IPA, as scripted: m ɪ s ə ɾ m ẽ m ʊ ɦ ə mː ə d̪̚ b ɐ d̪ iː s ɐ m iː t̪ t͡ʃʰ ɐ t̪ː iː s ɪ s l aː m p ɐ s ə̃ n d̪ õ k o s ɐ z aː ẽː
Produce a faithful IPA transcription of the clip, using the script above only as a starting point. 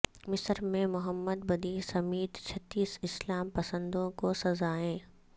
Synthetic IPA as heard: m ɪ s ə ɾ m ẽ m ʊ ɦ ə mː ə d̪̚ b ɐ d̪ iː s ɐ m iː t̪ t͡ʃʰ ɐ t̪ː iː s ɪ s l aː m p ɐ s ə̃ n d̪ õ k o s ɐ z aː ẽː